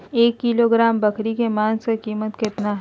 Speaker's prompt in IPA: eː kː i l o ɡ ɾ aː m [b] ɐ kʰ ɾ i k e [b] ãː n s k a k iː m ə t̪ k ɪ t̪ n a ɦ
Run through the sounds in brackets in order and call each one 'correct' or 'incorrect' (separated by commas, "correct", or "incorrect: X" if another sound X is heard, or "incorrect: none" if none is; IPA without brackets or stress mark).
correct, incorrect: m